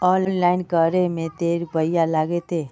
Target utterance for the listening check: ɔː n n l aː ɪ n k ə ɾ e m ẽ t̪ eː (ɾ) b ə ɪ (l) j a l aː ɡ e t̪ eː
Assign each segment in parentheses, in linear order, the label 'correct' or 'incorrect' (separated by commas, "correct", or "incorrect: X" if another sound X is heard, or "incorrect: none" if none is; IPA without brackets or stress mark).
correct, incorrect: none